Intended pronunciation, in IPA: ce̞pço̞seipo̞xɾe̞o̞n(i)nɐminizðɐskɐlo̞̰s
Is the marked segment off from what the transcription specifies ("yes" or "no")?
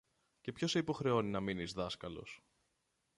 no